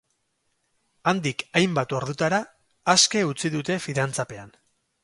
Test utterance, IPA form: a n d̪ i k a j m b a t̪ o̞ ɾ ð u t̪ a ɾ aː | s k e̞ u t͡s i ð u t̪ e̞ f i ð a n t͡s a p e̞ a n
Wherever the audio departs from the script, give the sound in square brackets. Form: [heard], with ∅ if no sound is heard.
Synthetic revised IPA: a n d̪ i k a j m b a t̪ o̞ ɾ ð u t̪ a ɾ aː | s k e̞ u t͡s i ð u t̪ e̞ f i ð a n t͡s a p e̞ a n